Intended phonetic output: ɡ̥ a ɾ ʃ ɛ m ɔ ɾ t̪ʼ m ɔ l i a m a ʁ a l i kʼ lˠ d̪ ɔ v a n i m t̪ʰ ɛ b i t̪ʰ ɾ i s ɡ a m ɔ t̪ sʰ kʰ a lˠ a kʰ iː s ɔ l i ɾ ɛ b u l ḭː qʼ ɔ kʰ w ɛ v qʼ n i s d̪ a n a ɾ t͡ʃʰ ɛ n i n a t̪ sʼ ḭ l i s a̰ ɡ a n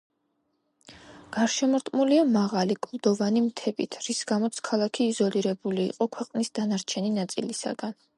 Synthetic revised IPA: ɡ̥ a ɾ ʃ ɛ m ɔ ɾ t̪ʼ m u l i a m a ʁ a l i kʼ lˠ d̪ ɔ v a n i m t̪ʰ ɛ b i t̪ʰ ɾ i s ɡ a m ɔ t̪ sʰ kʰ a lˠ a kʰ iː z ɔ l i ɾ ɛ b u l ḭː qʼ ɔ kʰ w ɛ qʼ n i s d̪ a n a ɾ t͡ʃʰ ɛ n i n a t̪ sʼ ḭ l i s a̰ ɡ a n